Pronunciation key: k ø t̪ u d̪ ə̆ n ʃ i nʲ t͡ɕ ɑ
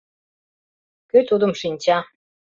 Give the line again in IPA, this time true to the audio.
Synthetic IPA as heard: k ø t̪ u d̪ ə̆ m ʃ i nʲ t͡ɕ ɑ